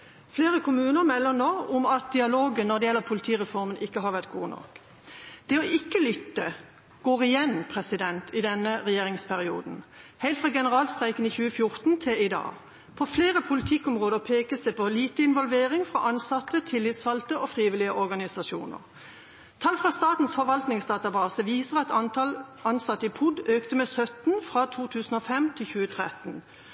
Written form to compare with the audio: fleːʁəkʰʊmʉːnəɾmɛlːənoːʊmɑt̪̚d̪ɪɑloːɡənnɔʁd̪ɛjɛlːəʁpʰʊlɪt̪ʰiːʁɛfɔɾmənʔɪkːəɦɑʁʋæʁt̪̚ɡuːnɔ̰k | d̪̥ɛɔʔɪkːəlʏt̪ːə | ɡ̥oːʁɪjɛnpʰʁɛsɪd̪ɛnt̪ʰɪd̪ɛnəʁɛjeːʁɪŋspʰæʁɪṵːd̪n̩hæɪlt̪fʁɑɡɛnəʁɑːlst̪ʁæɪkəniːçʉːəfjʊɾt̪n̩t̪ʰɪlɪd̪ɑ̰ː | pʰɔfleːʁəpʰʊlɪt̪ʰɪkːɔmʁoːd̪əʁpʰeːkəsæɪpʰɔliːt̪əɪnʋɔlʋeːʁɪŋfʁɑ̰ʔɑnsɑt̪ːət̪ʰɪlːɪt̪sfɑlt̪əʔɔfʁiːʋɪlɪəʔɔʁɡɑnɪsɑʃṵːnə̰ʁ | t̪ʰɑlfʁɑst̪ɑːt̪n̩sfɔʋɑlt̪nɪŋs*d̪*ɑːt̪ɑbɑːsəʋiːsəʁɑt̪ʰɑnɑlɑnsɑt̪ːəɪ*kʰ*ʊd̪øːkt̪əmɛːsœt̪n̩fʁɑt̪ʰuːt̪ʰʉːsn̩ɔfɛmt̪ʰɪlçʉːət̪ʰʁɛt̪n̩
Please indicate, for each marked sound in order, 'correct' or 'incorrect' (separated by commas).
correct, incorrect